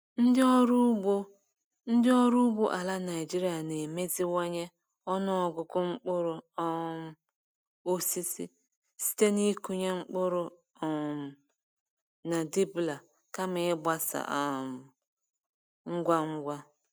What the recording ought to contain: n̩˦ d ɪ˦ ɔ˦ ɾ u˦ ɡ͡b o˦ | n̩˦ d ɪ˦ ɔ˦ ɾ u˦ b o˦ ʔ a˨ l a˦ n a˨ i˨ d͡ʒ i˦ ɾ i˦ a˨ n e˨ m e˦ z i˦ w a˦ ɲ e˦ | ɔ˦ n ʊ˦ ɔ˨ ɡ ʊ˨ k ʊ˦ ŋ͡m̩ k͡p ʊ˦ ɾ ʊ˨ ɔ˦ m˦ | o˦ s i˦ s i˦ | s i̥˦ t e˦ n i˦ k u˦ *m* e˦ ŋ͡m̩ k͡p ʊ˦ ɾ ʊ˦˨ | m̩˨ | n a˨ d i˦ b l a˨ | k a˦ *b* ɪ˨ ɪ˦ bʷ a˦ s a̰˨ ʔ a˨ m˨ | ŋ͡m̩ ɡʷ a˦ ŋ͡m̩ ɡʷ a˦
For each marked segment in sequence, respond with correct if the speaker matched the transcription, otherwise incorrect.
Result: incorrect, incorrect

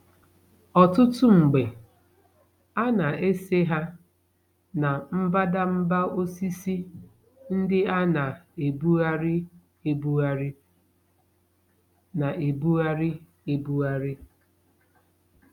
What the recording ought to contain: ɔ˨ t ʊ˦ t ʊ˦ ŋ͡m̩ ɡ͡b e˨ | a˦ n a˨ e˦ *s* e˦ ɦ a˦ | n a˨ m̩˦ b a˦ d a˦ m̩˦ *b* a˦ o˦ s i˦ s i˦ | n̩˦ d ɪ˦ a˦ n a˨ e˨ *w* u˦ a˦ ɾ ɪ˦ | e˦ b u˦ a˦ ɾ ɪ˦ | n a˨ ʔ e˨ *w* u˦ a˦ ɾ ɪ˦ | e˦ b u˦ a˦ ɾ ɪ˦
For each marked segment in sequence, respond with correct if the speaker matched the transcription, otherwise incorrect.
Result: correct, correct, incorrect, incorrect

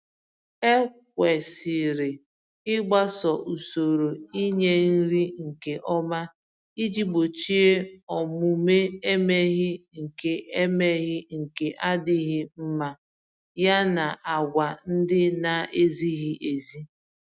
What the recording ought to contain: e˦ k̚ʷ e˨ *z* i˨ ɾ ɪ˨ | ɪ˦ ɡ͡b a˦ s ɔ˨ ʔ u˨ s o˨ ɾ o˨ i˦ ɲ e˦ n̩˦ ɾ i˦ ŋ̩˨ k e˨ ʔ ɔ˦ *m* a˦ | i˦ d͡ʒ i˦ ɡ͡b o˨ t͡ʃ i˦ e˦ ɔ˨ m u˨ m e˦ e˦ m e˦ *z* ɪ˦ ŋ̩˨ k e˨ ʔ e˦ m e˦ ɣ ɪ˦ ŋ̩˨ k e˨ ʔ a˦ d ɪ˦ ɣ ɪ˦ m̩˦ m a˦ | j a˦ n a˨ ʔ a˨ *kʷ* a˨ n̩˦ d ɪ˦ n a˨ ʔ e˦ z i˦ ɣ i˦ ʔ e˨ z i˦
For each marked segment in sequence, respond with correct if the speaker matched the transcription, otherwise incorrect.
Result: incorrect, correct, incorrect, incorrect

